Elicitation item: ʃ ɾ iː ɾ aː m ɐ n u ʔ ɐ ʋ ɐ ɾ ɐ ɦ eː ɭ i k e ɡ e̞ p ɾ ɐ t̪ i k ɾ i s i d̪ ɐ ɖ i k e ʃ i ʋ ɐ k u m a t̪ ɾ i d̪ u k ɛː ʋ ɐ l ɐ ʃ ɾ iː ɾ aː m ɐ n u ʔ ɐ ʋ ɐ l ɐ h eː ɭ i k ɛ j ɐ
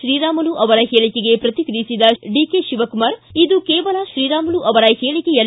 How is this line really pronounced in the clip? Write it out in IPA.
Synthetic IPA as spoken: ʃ ɾ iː ɾ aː m ɐ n u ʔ ɐ ʋ ɐ ɾ ɐ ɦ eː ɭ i k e ɡ e̞ p ɾ ɐ t̪ i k ɾ i s i d̪ ɐ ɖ i k e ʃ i ʋ ɐ k u m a ɾ i d̪ u k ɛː ʋ ɐ l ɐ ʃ ɾ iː ɾ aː m ɐ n u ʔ ɐ ʋ ɐ ɾ ɐ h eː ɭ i k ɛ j ɐ